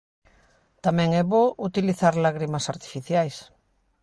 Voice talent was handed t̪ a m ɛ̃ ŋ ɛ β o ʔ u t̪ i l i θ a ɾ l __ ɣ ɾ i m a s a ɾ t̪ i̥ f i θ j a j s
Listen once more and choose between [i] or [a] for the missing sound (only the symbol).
a